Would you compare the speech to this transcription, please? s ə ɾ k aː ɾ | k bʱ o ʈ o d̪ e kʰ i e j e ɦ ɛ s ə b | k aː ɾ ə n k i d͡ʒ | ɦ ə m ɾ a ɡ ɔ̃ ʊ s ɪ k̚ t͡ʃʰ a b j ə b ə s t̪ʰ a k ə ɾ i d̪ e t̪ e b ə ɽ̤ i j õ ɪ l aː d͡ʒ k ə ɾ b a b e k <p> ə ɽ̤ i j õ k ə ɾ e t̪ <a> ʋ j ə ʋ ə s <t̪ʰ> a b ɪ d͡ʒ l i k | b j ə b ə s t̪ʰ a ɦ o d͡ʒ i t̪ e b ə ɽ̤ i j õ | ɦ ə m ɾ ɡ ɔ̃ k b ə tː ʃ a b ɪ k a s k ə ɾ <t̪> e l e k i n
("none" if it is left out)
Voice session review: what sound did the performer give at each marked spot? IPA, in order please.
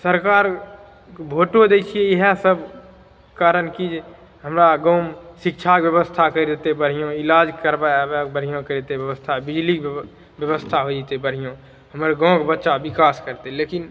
b, e, t̪ʰ, t̪

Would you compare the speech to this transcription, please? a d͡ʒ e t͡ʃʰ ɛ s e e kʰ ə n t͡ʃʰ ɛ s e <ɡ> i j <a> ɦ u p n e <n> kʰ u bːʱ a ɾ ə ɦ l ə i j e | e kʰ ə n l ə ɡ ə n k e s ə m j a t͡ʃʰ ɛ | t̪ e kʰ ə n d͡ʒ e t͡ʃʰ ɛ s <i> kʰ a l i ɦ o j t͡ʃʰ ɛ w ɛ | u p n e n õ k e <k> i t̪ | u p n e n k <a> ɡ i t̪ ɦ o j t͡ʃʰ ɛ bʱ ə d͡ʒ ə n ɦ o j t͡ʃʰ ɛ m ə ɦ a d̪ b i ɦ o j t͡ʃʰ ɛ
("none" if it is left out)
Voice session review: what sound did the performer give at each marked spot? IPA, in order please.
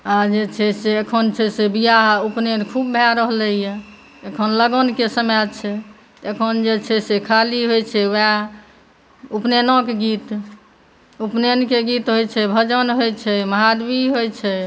b, a, n, e, ɡ, e

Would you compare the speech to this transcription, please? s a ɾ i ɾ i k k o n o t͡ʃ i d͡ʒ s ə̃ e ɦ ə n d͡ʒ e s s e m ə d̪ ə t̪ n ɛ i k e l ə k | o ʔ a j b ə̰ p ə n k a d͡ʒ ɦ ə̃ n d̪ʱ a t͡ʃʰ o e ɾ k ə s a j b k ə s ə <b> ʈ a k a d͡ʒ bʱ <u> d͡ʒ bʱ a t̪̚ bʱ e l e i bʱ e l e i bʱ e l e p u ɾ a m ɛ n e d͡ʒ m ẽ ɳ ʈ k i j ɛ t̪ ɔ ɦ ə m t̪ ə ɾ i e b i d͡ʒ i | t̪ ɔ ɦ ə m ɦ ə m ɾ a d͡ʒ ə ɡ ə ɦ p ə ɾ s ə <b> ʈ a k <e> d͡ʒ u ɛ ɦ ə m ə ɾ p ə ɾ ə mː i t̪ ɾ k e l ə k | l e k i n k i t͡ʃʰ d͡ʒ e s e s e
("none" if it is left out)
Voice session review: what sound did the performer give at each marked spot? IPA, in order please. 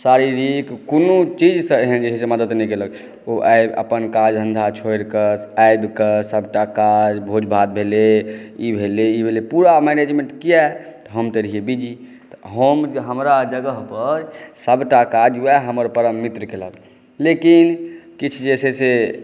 b, o, b, a

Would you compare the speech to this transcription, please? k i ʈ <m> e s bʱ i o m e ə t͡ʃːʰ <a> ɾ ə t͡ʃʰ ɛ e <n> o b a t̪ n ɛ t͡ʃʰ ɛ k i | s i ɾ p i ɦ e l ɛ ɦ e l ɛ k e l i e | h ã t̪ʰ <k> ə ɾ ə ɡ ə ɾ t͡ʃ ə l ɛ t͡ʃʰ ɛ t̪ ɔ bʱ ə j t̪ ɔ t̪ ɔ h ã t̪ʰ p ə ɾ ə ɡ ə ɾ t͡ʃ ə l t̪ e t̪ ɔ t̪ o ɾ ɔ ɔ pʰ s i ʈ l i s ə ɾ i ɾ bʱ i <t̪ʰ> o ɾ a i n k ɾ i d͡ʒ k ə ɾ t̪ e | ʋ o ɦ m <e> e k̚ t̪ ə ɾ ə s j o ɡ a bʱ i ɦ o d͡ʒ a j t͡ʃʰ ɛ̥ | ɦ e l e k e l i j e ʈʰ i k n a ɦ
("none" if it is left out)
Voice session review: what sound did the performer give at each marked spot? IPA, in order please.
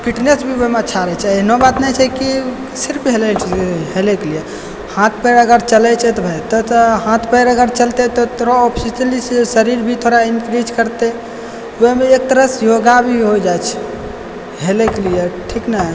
n, a, n, p, t̪ʰ, e

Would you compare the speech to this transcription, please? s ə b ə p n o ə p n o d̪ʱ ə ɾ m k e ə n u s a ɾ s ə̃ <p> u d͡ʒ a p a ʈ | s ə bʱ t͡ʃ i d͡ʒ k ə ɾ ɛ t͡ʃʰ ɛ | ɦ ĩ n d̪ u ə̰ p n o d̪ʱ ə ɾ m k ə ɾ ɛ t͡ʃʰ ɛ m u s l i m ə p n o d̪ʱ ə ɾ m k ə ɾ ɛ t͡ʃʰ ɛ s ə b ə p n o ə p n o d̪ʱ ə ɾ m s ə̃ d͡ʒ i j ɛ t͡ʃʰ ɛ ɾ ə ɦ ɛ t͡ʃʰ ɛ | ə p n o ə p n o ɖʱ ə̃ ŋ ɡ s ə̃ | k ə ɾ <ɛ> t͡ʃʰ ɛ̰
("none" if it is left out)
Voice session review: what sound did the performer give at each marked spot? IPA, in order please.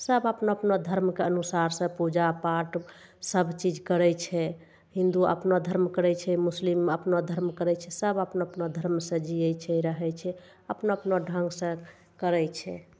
p, ɛ

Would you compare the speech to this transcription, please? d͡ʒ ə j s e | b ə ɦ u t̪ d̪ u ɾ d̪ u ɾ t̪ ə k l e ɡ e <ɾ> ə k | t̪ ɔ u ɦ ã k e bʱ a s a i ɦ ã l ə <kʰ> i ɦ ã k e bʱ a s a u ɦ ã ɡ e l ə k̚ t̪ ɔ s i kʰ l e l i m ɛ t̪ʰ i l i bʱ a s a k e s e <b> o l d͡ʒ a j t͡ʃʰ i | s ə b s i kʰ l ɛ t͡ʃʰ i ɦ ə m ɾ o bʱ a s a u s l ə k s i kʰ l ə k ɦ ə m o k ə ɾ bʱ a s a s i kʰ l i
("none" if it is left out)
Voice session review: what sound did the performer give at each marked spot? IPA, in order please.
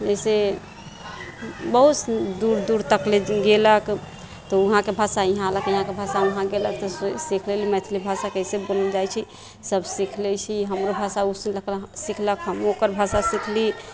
l, k, b

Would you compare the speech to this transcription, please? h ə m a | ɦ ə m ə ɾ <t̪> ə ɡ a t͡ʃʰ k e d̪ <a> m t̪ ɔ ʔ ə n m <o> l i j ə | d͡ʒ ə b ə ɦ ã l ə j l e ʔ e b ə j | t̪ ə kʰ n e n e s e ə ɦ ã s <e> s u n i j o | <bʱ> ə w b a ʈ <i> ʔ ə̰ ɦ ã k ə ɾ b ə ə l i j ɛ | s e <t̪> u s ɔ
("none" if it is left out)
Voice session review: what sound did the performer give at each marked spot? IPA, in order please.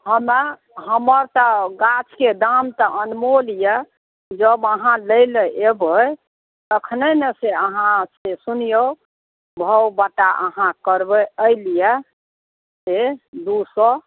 t̪, a, o, e, bʱ, a, d̪

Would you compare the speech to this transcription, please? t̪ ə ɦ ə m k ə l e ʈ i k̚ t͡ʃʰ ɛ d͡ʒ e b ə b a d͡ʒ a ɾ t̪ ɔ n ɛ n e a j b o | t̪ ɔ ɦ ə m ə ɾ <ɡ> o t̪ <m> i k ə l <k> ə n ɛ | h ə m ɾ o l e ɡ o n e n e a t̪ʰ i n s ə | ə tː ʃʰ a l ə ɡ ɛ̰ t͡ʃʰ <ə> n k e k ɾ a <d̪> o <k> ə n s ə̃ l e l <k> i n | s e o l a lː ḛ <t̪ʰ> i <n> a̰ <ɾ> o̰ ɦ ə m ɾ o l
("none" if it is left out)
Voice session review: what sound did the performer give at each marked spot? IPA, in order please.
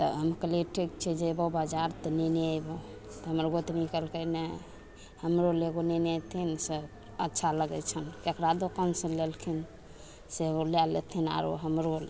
ɡ, n, k, ə, d̪, k, kʰ, t̪ʰ, n, ɾ

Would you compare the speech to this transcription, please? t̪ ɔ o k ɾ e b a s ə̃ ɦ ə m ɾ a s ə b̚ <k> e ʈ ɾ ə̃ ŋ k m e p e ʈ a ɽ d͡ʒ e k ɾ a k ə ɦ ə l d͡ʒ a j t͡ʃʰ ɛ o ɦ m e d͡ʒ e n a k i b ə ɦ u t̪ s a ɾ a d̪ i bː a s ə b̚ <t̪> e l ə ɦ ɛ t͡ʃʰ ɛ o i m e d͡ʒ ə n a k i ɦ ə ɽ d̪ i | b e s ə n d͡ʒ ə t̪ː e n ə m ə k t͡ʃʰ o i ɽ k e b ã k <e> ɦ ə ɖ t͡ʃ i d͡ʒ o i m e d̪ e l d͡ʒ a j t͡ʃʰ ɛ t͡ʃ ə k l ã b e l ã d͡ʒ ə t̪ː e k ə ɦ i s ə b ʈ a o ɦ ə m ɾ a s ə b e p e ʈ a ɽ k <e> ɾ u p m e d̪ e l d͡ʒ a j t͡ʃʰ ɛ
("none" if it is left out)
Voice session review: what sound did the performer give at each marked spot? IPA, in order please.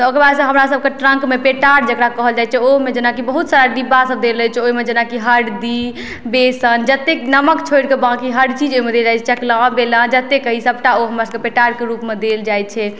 k, d̪, i, e

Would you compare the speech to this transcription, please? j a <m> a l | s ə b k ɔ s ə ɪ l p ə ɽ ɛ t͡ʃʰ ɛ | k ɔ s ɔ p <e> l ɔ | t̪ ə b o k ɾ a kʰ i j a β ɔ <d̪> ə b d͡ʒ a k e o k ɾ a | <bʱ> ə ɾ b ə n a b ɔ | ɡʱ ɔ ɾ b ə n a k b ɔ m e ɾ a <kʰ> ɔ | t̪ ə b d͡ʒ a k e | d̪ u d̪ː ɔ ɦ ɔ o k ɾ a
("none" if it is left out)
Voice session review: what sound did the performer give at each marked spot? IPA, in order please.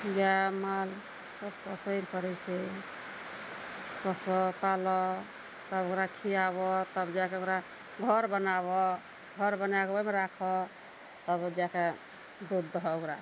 m, a, t̪, ɡʱ, kʰ

